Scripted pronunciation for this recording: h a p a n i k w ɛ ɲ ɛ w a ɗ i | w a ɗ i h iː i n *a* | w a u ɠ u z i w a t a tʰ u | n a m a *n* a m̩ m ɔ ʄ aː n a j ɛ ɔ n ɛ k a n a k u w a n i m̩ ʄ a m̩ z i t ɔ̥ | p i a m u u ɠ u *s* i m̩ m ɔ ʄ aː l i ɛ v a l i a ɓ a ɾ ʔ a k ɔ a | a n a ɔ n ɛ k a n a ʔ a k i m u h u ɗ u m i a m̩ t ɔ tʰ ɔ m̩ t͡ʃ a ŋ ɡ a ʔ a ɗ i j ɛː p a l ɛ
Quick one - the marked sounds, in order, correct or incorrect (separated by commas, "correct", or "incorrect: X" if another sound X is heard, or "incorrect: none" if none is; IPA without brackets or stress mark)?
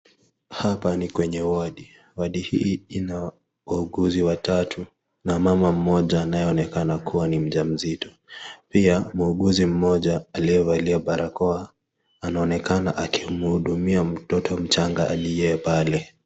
correct, incorrect: m, incorrect: z